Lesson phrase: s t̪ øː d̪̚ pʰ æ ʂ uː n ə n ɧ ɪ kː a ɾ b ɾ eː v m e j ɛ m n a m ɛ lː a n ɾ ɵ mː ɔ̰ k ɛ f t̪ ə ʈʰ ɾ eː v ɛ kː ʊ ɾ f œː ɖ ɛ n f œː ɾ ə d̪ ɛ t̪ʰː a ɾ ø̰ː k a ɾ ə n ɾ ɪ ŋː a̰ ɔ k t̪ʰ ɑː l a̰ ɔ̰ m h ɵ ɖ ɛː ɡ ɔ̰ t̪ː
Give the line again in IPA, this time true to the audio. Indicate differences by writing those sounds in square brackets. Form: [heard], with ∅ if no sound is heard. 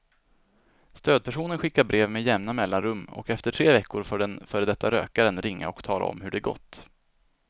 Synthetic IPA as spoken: s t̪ øː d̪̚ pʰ æ ʂ uː n ə n ɧ ɪ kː a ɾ b ɾ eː v m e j ɛ m n a m ɛ lː a n ɾ ɵ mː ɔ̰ k ɛ f t̪ ə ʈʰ ɾ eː v ɛ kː ʊ ɾ f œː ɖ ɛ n f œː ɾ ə d̪ ɛ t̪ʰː a ɾ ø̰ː k a ɾ ə n ɾ ɪ ŋː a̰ ɔ k t̪ʰ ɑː l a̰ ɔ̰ m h ɵ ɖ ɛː ɡ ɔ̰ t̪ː

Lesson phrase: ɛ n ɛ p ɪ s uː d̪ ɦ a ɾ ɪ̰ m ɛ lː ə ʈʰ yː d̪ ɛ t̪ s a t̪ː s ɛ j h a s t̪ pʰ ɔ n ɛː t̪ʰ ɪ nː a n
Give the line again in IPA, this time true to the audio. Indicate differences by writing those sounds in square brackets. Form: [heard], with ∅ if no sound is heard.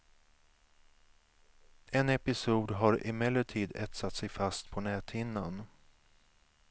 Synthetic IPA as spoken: ɛ n ɛ p ɪ s uː d̪ ɦ a ɾ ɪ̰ m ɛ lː ə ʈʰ [iː] d̪ ɛ t̪ s a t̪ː s ɛ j [f] a s t̪ pʰ ɔ n ɛː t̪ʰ ɪ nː a n

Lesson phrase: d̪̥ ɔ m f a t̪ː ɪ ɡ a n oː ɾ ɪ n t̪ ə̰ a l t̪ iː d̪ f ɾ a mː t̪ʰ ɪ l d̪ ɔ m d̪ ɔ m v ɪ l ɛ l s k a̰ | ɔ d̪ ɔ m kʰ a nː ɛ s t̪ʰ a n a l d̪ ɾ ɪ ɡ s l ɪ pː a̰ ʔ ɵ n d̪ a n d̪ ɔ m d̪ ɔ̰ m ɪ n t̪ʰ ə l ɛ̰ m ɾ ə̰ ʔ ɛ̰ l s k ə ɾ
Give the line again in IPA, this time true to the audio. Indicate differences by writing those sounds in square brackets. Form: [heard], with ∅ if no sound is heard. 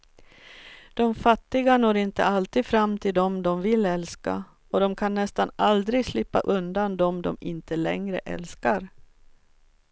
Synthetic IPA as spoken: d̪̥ ɔ m f a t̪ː ɪ ɡ a n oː ɾ ɪ n t̪ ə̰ a l t̪ iː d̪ f ɾ a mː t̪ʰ ɪ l d̪ ɔ m d̪ ɔ m v ɪ l ɛ l s k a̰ | ɔ d̪ ɔ m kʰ a nː ɛ s [t̪] a n a l d̪ ɾ ɪ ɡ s l ɪ pː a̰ ʔ ɵ n d̪ a n d̪ ɔ m d̪ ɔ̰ m ɪ n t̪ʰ ə l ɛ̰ [ŋ] ɾ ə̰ ʔ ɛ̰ l s k [a] ɾ

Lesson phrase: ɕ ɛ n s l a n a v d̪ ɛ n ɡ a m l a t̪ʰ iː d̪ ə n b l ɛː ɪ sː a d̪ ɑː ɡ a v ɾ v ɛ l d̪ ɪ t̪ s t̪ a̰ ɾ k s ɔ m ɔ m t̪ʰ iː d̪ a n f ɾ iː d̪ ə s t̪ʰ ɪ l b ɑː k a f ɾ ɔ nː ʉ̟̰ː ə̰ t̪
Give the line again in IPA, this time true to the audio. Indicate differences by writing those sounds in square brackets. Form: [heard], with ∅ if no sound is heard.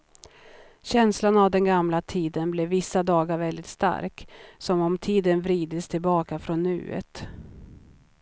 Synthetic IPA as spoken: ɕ ɛ n s l a n a v d̪ ɛ n ɡ a m l a t̪ʰ iː d̪ ə n b l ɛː ɪ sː a d̪ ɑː ɡ a [∅] ɾ v ɛ l d̪ ɪ t̪ s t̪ a̰ ɾ k s ɔ m ɔ m t̪ʰ iː d̪ [ə] n [v] ɾ iː d̪ ə s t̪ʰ ɪ l b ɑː k a f ɾ ɔ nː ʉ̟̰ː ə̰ t̪

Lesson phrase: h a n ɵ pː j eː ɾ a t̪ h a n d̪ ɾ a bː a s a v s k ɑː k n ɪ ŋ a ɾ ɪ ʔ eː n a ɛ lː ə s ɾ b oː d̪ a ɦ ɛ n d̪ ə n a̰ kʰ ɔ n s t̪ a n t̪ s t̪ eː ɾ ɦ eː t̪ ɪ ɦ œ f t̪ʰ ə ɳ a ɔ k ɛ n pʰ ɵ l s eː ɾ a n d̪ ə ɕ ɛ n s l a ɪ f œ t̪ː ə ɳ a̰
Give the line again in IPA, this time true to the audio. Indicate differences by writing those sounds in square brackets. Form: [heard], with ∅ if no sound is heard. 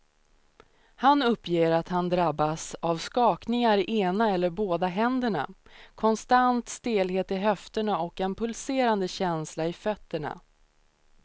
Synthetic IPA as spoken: h a n ɵ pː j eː ɾ a t̪ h a n d̪ ɾ a bː a s a v s k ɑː k n ɪ ŋ a ɾ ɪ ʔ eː n a ɛ lː ə [∅] ɾ b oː d̪ a ɦ ɛ n d̪ ə [ɳ] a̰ kʰ ɔ n s t̪ a n t̪ s t̪ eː [l] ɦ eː t̪ ɪ ɦ œ f [t̪] ə ɳ a ɔ k ɛ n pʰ ɵ l s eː ɾ a n d̪ ə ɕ ɛ n s l a ɪ f œ t̪ː ə ɳ a̰

